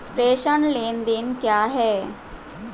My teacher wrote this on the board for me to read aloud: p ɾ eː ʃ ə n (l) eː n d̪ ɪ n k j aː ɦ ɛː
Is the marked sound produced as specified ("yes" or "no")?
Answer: yes